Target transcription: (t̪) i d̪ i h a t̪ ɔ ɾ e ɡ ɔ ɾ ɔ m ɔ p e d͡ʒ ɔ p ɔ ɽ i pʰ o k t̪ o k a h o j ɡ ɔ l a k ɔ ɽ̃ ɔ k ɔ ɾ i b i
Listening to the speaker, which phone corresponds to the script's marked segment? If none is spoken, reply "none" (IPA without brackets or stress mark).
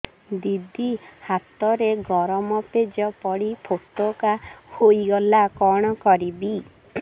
d̪